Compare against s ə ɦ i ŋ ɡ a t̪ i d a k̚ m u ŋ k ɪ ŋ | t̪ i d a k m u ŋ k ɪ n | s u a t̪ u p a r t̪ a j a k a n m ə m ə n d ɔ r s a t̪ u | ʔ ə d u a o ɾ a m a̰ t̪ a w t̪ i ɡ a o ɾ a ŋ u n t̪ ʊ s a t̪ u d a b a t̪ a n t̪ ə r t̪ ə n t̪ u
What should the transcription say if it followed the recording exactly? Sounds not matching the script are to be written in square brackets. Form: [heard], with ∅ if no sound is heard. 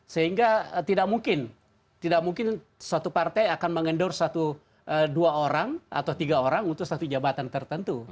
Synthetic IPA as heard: s ə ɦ i ŋ ɡ a t̪ i d a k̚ m u ŋ k ɪ [n] | t̪ i d a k m u ŋ k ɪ n | s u a t̪ u p a r t̪ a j a k a n m ə [ŋ] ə n d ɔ r s a t̪ u | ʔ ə d u a o ɾ a [ŋ] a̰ t̪ a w t̪ i ɡ a o ɾ a ŋ u n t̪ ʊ s a t̪ u [d͡ʒ] a b a t̪ a n t̪ ə r t̪ ə n t̪ u